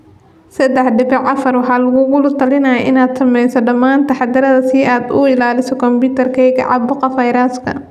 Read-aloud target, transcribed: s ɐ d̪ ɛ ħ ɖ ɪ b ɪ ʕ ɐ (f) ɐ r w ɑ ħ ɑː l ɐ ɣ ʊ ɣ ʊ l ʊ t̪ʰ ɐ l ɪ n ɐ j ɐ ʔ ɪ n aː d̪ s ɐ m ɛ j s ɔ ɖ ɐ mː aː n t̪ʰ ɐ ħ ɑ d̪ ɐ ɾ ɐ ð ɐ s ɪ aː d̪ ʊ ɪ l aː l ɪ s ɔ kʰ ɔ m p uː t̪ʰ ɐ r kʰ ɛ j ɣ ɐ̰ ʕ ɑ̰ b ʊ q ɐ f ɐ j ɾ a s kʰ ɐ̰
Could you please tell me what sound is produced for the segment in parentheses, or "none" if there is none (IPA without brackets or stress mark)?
f